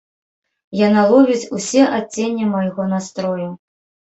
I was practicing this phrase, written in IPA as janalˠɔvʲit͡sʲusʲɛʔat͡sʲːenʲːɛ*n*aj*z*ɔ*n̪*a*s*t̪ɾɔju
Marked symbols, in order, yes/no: no, no, yes, yes

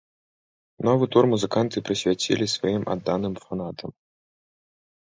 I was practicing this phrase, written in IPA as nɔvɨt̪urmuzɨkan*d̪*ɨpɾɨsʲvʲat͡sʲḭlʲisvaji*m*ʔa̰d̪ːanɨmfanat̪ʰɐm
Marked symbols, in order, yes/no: no, yes

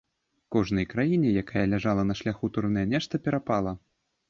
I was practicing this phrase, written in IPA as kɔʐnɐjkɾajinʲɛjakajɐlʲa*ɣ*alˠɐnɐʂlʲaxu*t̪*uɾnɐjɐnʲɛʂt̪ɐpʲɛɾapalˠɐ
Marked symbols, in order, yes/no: no, yes

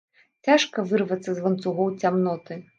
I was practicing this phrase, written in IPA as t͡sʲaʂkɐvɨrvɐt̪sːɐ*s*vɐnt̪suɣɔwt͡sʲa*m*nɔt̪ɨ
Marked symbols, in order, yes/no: no, yes

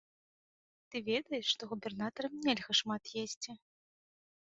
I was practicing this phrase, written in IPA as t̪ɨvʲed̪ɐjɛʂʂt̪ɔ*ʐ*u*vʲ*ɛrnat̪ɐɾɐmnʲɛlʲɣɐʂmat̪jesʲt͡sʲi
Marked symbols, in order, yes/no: no, no

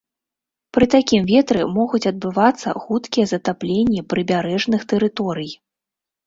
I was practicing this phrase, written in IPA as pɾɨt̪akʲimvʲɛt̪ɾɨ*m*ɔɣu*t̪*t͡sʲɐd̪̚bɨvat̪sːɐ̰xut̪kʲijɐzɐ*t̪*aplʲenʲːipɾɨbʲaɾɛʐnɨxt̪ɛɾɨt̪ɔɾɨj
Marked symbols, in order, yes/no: yes, no, yes

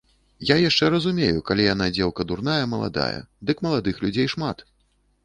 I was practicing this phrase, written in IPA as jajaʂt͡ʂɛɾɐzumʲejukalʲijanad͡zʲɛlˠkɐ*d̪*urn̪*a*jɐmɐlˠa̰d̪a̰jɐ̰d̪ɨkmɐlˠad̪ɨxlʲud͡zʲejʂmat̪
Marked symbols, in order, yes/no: yes, yes

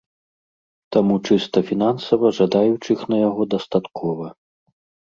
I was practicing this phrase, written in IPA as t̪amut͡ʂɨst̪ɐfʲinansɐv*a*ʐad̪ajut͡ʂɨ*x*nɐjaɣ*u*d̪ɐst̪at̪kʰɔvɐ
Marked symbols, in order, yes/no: no, yes, no

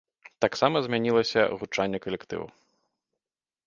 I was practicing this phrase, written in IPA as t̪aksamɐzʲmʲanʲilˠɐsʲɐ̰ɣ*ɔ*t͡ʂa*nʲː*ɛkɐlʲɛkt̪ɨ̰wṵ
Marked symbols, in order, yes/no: no, yes

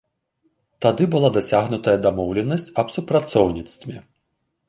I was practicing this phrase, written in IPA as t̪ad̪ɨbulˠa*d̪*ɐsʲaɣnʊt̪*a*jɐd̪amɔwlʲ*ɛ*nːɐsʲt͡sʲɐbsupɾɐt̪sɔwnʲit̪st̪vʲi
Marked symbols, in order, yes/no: yes, no, yes

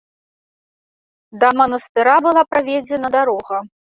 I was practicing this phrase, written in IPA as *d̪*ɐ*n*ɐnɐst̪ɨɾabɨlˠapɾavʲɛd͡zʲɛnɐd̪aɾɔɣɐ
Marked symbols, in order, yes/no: yes, no

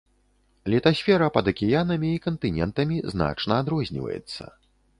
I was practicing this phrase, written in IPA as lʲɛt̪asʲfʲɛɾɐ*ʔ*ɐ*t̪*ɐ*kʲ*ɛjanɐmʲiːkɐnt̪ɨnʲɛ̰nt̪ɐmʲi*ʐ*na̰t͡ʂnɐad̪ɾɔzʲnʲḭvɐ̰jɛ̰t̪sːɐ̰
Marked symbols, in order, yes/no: no, no, yes, no

